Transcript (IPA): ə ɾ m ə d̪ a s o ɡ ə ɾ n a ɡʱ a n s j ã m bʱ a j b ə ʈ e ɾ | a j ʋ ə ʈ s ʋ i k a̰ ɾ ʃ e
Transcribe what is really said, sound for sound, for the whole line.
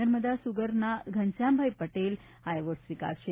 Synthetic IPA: ə ɾ m ə d̪ a s u ɡ ə ɾ n a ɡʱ ə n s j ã m bʱ a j p ə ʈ e l | a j ʋ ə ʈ s ʋ i k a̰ ɾ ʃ e